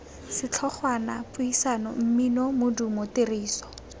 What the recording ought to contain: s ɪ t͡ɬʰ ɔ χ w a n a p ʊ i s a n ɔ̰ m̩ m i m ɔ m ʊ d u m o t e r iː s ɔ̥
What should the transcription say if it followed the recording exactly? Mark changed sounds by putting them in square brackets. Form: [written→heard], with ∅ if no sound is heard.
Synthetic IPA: s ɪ t͡ɬʰ ɔ χ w a n a p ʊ i s a n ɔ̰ m̩ m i [m→n] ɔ m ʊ d u m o t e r iː s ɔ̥